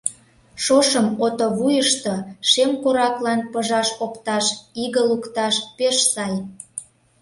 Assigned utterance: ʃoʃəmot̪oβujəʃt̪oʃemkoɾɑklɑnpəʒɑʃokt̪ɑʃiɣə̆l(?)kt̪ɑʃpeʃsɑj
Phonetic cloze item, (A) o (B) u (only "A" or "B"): B